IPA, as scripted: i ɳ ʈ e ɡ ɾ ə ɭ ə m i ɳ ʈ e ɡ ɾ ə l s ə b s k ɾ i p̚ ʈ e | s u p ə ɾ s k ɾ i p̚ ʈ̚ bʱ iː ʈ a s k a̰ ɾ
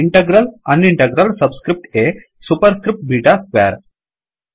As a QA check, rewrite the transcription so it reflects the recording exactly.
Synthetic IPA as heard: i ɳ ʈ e ɡ ɾ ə l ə n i ɳ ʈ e ɡ ɾ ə l s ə b s k ɾ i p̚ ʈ e | s u p ə ɾ s k ɾ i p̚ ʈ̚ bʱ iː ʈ a s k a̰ ɾ